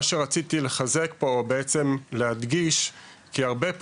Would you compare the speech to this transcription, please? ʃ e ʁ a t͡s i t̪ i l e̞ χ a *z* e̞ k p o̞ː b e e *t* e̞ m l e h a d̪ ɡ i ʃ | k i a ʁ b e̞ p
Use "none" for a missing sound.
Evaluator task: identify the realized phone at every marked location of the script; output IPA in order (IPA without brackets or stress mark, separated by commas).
z, t͡s